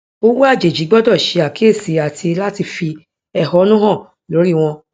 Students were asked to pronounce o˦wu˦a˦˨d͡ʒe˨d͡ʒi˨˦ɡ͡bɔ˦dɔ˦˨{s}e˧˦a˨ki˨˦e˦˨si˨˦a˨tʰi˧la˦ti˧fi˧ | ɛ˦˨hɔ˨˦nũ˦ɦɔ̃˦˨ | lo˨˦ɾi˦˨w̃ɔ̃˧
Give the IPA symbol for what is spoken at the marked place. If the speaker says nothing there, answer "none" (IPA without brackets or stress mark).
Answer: ʃ